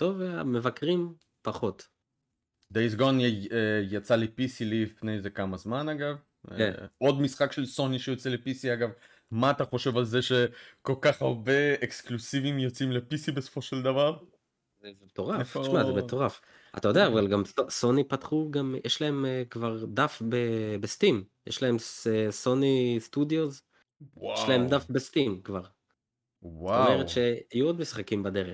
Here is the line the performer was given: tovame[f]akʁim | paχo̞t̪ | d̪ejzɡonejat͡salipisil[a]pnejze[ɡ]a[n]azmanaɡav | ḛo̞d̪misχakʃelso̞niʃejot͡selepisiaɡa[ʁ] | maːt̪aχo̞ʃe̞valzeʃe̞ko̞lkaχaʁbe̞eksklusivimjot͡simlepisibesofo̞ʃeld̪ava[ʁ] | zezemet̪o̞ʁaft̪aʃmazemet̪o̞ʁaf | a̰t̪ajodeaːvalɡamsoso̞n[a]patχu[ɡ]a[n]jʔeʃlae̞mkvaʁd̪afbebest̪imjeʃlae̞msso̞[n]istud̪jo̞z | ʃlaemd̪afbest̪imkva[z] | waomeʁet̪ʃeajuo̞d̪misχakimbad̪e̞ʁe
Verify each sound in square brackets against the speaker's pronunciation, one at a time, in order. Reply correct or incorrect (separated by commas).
incorrect, incorrect, incorrect, incorrect, incorrect, correct, incorrect, correct, incorrect, correct, incorrect